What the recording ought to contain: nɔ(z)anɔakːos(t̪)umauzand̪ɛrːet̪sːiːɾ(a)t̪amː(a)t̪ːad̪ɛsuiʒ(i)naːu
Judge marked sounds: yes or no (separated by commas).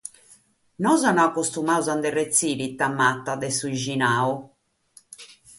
yes, yes, no, yes, yes